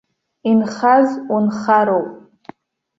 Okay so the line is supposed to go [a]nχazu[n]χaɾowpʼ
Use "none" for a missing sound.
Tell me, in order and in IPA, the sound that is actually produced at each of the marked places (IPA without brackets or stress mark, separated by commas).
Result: i, n